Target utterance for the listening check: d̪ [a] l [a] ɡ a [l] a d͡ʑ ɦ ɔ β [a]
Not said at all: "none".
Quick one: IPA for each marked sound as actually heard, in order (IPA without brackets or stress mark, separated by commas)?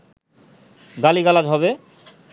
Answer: a, i, l, e